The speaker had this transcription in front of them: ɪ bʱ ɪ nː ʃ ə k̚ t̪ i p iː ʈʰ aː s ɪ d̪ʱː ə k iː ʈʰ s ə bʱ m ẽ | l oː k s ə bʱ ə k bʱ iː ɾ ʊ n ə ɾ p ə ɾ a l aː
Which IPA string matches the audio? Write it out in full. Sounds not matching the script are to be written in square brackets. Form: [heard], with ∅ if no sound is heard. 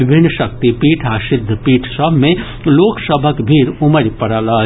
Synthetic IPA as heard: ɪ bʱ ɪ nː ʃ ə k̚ t̪ i p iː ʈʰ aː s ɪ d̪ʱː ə [p] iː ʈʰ s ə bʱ m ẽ | l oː k s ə bʱ ə k bʱ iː ɾ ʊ [m] ə ɾ p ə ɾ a l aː